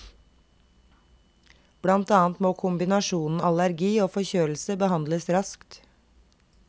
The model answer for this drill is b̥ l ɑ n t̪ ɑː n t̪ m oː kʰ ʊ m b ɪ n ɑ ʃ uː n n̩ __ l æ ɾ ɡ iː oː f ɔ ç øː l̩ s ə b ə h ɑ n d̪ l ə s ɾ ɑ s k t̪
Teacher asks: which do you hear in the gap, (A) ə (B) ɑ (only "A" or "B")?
B